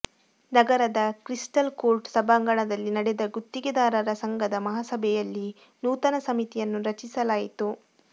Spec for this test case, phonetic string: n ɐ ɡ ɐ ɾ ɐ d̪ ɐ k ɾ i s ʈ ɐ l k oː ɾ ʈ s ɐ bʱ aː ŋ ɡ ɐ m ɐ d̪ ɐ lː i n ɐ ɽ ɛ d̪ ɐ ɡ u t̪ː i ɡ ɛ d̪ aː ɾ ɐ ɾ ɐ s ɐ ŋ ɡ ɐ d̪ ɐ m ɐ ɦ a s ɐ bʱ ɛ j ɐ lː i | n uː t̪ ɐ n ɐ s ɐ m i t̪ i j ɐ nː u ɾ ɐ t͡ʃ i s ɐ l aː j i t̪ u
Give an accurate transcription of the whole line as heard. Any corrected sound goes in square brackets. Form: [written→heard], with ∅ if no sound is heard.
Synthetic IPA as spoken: n ɐ ɡ ɐ ɾ ɐ d̪ ɐ k ɾ i s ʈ ɐ l k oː ɾ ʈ s ɐ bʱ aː ŋ ɡ ɐ [m→ɳ] ɐ d̪ ɐ lː i n ɐ ɽ ɛ d̪ ɐ ɡ u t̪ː i ɡ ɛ d̪ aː ɾ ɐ ɾ ɐ s ɐ ŋ ɡ ɐ d̪ ɐ m ɐ ɦ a s ɐ bʱ ɛ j ɐ lː i | n uː t̪ ɐ n ɐ s ɐ m i t̪ i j ɐ nː u ɾ ɐ t͡ʃ i s ɐ l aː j i t̪ u